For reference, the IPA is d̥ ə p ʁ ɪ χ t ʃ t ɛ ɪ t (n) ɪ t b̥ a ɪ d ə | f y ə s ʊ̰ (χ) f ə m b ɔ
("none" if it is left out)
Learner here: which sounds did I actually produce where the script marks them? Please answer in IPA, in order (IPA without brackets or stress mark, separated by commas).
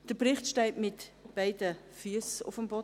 m, none